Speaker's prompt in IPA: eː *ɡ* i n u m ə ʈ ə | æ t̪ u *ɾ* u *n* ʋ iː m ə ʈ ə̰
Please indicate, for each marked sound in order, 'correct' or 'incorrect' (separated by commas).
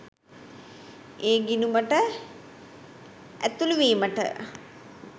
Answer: correct, incorrect, incorrect